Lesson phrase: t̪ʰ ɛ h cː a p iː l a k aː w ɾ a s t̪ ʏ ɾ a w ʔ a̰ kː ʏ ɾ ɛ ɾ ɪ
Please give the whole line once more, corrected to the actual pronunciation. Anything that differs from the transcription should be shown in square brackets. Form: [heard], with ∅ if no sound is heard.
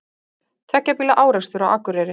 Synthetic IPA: t̪ʰ ɛ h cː a p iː l a [ʔ] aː w ɾ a s t̪ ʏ ɾ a w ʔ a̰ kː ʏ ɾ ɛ ɾ ɪ